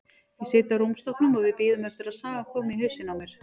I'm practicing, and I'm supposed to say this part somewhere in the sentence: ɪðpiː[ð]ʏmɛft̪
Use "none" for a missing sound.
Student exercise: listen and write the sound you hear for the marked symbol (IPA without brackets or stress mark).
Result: ð